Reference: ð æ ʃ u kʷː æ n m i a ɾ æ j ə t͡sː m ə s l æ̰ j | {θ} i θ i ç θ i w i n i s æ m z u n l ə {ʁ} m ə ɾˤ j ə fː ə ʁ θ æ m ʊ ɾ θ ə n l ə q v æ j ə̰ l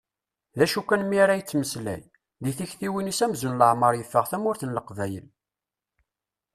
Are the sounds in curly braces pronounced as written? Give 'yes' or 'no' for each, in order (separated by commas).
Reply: no, no